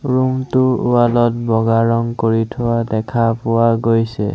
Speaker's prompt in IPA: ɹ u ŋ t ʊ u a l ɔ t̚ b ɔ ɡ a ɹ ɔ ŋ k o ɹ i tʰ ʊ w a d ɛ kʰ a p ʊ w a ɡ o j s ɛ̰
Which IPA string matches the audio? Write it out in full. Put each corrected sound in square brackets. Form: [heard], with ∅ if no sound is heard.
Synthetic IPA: ɹ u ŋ t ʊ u a l ɔ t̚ b ɔ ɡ a ɹ ɔ ŋ k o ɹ i tʰ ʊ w a d ɛ kʰ a p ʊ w a ɡ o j s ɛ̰